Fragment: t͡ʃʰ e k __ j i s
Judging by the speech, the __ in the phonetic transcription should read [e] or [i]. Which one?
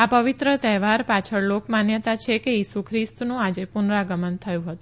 e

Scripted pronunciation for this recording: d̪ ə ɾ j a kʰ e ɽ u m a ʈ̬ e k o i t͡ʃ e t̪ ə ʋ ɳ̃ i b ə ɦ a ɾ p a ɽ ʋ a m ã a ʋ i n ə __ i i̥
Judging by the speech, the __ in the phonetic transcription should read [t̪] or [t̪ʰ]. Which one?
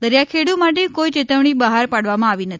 t̪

